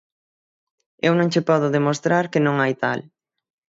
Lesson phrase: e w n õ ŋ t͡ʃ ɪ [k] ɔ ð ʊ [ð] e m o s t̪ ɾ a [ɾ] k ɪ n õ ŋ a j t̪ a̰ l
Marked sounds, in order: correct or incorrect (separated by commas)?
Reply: incorrect, correct, correct